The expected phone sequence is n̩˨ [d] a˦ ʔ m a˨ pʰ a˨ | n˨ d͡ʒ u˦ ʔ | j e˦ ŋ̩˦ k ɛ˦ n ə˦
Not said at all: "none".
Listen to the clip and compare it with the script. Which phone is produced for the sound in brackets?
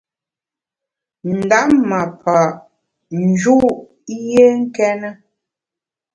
d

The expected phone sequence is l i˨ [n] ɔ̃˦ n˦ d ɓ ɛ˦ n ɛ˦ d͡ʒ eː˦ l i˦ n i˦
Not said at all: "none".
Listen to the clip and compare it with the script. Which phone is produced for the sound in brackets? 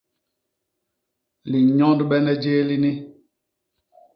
ɲ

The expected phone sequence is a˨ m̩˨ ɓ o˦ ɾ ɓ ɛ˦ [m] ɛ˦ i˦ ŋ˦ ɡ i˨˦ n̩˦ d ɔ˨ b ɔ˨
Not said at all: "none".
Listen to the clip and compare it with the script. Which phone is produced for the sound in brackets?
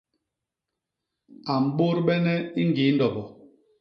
n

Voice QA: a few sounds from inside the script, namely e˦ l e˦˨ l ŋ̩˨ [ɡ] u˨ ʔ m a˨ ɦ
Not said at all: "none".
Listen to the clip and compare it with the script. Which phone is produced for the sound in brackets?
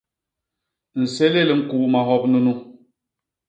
k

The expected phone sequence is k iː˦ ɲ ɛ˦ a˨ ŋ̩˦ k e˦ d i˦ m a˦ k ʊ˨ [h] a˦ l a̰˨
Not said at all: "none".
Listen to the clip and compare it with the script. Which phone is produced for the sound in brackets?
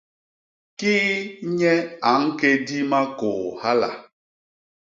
h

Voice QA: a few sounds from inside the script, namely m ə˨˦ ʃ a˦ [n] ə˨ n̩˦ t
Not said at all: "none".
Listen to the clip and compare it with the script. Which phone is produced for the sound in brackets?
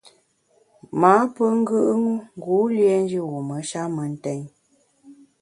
m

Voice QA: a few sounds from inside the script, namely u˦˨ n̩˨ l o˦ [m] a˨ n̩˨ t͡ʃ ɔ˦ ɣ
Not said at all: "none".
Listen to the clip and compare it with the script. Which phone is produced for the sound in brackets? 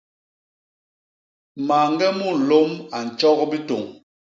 m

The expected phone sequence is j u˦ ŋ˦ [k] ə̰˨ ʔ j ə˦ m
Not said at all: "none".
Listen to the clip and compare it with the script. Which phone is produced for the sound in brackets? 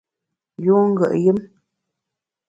ɡ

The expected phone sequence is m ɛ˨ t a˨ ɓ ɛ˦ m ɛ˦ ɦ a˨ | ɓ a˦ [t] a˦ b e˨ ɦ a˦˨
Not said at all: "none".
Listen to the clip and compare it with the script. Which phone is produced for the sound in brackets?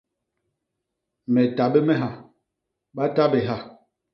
t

